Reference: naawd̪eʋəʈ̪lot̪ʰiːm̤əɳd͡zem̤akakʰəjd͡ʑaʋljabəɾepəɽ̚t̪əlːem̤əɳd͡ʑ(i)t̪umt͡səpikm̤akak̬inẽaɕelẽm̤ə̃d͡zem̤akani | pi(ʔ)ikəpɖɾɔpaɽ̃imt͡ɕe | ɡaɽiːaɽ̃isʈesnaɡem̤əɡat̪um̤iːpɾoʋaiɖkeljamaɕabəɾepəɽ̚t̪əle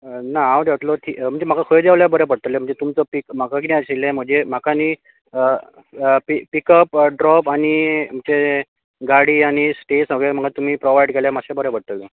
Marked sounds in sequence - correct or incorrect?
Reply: incorrect, incorrect

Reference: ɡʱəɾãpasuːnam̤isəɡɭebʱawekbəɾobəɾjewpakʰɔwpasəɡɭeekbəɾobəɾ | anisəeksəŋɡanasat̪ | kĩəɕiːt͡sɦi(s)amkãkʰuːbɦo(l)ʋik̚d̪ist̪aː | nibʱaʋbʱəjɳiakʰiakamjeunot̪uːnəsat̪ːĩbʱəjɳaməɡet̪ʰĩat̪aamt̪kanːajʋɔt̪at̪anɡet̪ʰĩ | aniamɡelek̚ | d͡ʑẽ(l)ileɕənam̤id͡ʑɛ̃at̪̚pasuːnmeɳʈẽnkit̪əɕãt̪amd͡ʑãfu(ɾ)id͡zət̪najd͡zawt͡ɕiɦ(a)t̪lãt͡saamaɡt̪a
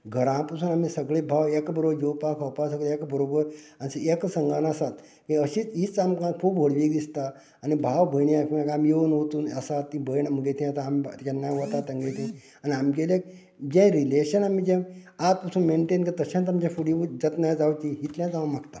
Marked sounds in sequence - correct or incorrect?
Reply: incorrect, incorrect, incorrect, incorrect, incorrect

